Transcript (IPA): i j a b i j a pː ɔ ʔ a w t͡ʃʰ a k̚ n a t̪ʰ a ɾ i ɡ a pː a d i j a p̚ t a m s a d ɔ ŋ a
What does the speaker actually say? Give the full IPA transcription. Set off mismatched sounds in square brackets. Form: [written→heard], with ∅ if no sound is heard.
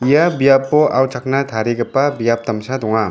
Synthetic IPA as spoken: i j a b i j a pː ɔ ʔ a w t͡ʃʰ a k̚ n a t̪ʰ a ɾ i ɡ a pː a [d→b] i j a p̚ t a m s a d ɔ ŋ a

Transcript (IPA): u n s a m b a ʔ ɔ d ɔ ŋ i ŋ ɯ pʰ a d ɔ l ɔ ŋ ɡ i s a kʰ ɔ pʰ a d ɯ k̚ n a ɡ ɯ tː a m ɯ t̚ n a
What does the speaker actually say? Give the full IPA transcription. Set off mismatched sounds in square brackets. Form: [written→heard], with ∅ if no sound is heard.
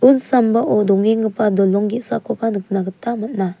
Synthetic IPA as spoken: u n s a m b a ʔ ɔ d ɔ ŋ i ŋ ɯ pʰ a d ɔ l ɔ ŋ ɡ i s a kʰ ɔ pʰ a [d→n] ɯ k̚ n a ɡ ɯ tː a m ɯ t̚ n a

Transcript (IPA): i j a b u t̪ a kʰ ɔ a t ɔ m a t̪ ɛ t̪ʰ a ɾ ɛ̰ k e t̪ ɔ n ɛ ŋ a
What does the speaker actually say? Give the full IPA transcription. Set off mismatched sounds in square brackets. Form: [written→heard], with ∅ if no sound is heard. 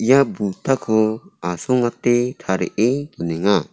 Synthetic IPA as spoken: i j a b u t̪ a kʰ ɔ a [t→s] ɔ [m→ŋ] a t̪ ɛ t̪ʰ a ɾ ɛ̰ [k→ʔ] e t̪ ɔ n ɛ ŋ a

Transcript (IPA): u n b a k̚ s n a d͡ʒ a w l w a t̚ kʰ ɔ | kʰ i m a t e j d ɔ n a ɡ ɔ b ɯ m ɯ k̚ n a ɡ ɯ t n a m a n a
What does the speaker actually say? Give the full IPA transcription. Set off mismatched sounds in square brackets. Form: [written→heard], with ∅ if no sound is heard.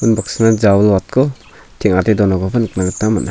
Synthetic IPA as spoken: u n b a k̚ s n a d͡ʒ a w l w a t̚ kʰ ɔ | [kʰ→tʰ] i [m→ŋ] a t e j d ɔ n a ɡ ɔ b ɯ [m→n] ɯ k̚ n a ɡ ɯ t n a m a n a

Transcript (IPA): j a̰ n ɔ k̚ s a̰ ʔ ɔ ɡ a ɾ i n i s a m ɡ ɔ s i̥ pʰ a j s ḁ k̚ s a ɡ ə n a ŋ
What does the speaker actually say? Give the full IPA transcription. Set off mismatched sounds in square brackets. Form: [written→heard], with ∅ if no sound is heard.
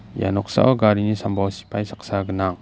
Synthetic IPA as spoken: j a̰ n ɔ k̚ s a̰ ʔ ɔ ɡ a ɾ i n i s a m [ɡ→b] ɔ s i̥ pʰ a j s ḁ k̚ s a ɡ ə n a ŋ

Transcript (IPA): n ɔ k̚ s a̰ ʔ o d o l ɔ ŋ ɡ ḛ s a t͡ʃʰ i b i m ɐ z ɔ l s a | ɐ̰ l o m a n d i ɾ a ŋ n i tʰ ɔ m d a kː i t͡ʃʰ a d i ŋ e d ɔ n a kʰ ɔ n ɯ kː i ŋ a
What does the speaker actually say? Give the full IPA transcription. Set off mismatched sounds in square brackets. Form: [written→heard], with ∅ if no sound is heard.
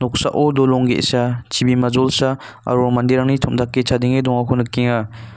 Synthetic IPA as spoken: n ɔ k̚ s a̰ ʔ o d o l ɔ ŋ ɡ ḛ s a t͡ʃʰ i b i m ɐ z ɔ l s a | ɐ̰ [l→ɾ] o m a n d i ɾ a ŋ n i tʰ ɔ m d a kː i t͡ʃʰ a d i ŋ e d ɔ [n→ŋ] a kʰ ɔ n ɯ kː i ŋ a

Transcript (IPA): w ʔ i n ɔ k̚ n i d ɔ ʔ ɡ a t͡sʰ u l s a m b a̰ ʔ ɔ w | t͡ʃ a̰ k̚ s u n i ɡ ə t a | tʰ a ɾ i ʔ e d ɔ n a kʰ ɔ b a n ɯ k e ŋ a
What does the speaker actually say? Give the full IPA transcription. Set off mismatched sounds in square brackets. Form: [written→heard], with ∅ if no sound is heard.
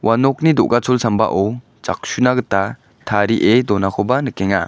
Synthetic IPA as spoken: w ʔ [i→a] n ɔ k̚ n i d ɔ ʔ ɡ a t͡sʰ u l s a m b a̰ ʔ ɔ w | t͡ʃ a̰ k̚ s u n [i→a] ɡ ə t a | tʰ a ɾ i ʔ e d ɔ n a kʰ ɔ b a n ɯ k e ŋ a

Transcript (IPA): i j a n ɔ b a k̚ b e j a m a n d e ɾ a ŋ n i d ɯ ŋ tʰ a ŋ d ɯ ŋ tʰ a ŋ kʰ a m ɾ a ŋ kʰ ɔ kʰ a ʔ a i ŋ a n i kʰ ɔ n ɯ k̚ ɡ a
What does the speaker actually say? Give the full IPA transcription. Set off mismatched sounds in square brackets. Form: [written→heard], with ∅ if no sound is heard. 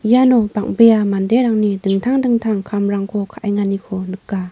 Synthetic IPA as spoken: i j a n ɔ b a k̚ b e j a m a n d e ɾ a ŋ n i d ɯ ŋ tʰ a ŋ d ɯ ŋ tʰ a ŋ kʰ a m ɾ a ŋ kʰ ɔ kʰ a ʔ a [i→j] ŋ a n i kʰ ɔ n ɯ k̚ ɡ a

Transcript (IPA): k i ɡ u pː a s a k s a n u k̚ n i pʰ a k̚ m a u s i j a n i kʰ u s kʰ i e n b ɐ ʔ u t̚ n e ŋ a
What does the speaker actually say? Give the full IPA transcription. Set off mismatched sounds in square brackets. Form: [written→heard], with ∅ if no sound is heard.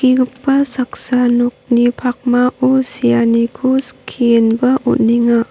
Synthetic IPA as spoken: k i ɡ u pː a s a k s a n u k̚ n i pʰ a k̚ m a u s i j a n i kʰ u s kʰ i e n b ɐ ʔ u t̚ n [e→i] ŋ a

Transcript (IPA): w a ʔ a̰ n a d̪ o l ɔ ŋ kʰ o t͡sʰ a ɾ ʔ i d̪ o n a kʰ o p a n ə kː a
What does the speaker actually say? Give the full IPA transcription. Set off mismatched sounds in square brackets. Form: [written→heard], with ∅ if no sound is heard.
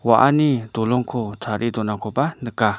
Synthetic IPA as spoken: w a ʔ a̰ n [a→i] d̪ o l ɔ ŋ kʰ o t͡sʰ a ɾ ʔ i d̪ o n a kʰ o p a n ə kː a

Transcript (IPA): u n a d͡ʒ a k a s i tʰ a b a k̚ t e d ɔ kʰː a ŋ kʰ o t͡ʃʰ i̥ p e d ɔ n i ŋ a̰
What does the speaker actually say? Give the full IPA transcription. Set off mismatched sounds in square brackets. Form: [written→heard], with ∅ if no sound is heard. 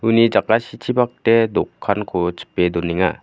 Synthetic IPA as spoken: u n [a→i] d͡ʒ a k a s i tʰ [a→i] b a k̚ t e d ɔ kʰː a [ŋ→n] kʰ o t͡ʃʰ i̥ p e d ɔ n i ŋ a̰

